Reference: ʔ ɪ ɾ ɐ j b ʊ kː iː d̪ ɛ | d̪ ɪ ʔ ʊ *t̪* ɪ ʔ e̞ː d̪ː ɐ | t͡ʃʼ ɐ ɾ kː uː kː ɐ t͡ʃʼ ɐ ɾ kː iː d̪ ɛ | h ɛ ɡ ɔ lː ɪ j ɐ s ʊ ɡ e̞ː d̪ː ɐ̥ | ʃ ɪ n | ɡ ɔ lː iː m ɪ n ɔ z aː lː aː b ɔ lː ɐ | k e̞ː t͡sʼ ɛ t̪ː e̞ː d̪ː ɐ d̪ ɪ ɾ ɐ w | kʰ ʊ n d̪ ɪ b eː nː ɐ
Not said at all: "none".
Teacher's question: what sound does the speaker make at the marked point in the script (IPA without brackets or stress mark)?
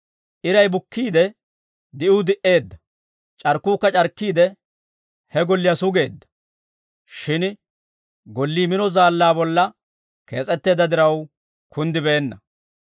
d̪